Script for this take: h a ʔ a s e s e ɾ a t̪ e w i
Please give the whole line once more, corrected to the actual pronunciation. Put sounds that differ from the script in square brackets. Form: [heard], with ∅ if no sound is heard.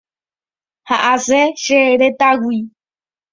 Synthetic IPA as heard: h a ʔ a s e [ʃ] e ɾ [e] t̪ [a] w i